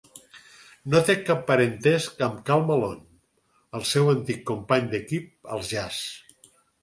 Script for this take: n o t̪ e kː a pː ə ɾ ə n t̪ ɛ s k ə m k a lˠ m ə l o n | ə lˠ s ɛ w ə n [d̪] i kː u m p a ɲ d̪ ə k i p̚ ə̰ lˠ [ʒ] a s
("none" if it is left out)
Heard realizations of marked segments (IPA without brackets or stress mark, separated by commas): t̪, ʒ